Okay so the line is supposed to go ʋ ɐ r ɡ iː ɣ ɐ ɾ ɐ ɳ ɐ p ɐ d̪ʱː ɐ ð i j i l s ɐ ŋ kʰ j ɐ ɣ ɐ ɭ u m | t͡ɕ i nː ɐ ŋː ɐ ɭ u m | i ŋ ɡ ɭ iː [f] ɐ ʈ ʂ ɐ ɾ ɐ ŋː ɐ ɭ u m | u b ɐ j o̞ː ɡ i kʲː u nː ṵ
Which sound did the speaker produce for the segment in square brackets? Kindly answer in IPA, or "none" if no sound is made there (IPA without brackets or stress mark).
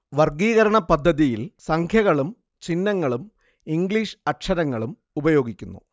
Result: ʂ